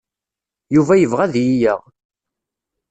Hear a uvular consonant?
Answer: yes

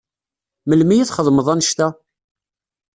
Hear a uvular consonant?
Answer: yes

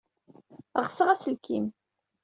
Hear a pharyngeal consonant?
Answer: no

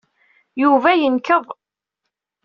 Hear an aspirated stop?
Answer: no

